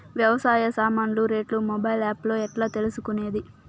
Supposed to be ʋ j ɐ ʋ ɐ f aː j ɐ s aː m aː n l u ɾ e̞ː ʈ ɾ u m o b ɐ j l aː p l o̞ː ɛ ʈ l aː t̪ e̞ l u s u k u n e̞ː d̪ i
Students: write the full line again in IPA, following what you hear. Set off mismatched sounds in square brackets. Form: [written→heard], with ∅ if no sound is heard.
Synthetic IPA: ʋ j ɐ ʋ ɐ [f→s] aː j ɐ s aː m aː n l u ɾ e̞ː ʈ [ɾ→l] u m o b ɐ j l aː p l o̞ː ɛ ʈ l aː t̪ e̞ l u s u k u n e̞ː d̪ i